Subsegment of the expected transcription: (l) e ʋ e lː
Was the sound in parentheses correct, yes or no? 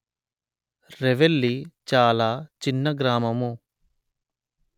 no